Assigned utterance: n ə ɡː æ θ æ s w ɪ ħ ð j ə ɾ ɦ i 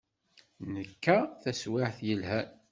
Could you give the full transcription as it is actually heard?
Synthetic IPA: n ə kː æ θ æ s w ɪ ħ θ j ə l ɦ æ